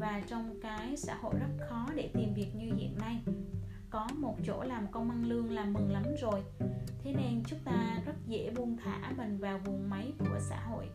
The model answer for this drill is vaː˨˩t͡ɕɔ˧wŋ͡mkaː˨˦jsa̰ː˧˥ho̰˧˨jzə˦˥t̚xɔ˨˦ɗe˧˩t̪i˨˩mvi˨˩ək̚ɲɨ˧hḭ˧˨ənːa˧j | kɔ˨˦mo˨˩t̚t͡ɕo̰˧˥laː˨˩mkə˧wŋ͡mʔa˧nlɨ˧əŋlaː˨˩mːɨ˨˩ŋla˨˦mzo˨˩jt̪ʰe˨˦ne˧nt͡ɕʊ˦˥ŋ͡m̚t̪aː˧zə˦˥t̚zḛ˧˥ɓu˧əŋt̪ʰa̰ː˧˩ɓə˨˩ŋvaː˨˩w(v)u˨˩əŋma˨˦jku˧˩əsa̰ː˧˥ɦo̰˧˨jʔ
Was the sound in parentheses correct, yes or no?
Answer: yes